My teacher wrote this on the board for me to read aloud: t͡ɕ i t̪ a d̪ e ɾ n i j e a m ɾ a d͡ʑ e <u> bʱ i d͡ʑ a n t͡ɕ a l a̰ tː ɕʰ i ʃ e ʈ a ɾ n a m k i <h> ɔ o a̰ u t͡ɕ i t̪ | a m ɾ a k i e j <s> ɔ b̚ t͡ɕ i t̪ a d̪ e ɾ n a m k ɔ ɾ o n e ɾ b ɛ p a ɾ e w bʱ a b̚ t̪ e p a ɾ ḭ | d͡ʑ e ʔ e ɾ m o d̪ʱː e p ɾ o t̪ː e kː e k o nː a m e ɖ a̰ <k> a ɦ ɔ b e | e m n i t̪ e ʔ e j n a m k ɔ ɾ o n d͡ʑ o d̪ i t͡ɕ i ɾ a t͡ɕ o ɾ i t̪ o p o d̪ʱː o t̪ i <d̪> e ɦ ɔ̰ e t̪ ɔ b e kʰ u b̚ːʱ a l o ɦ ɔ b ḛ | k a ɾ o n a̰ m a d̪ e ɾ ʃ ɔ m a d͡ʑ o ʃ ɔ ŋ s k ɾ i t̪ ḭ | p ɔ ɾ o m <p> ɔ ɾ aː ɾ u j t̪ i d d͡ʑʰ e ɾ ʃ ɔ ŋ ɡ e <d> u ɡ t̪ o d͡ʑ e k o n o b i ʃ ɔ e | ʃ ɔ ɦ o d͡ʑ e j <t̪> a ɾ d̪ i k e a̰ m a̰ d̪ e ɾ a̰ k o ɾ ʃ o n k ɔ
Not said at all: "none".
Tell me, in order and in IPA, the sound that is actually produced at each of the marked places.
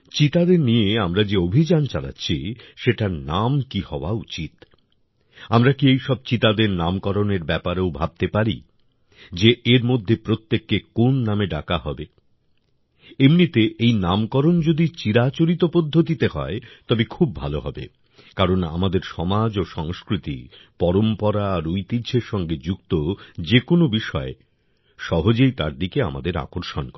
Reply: o, h, ʃ, k, t̪, p, d͡ʑ, t̪

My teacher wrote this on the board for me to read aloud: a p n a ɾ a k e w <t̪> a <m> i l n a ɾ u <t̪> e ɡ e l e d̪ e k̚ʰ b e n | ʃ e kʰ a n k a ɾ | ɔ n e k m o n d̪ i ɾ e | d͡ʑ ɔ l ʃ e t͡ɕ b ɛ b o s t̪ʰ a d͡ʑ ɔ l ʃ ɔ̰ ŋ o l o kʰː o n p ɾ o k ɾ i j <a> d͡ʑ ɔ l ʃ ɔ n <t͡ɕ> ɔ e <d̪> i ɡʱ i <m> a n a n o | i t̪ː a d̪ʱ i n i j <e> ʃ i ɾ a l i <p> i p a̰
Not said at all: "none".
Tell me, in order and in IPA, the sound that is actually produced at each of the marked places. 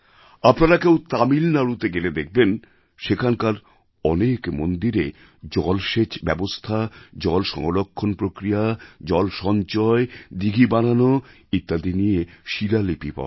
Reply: t̪, m, t̪, a, t͡ɕ, d̪, b, e, p

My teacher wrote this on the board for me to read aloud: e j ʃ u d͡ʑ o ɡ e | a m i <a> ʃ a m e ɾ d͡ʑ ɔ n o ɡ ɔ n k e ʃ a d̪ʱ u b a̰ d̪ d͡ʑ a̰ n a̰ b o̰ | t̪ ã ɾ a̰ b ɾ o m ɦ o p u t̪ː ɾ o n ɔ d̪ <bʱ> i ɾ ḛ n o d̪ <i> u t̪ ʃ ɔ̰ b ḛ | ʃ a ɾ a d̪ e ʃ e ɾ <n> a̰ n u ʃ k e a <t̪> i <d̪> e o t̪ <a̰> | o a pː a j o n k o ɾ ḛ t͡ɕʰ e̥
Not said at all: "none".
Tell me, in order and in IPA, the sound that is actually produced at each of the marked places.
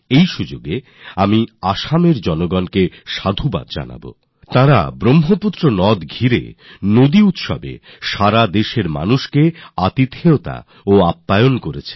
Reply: a, ɡʱ, i, m, t̪, t̪, a̰

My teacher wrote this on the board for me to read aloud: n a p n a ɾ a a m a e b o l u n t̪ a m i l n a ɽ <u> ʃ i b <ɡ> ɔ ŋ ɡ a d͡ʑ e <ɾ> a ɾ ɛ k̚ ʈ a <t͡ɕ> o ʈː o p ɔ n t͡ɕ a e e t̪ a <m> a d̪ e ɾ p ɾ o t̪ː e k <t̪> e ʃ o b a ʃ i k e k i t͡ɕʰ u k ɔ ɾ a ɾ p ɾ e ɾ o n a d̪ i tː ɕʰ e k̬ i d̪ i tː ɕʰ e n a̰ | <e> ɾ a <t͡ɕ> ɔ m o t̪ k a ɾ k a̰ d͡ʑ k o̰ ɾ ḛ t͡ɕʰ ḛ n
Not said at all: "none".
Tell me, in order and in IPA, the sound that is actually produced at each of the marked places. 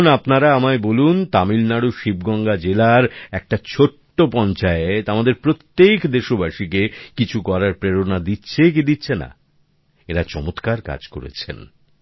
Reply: u, ɡ, l, t͡ɕʰ, m, d̪, e, t͡ɕ

